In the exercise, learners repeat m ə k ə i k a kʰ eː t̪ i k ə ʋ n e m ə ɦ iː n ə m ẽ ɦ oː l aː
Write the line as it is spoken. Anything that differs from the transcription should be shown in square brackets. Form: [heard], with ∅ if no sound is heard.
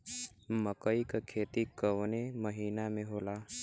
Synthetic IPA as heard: m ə k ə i k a kʰ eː t̪ i k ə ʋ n e m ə ɦ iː n [a] m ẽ ɦ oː l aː